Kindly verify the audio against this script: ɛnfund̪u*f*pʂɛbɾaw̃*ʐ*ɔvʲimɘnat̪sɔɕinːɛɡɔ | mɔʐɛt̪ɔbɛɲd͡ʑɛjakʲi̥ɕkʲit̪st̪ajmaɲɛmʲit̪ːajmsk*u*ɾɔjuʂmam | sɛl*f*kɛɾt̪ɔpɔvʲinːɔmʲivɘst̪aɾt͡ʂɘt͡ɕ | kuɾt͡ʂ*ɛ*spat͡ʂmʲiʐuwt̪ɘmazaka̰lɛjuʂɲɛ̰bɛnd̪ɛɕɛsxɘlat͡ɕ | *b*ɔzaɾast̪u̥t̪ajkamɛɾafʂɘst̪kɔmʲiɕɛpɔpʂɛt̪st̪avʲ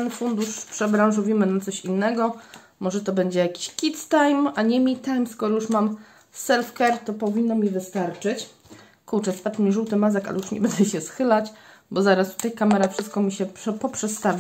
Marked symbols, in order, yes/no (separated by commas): no, yes, no, yes, yes, yes